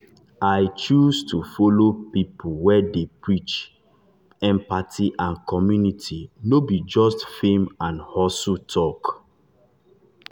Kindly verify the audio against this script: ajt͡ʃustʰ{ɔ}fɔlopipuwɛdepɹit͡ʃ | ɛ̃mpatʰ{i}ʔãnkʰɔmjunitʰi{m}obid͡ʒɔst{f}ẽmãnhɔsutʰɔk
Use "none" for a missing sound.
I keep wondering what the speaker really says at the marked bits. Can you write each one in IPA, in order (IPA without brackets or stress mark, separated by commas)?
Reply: u, i, n, f